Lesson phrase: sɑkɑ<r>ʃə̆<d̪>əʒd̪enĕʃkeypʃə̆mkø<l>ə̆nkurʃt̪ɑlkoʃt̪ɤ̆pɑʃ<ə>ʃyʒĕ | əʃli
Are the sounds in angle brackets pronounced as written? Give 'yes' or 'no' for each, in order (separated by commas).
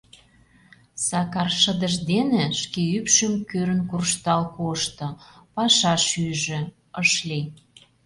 yes, yes, no, no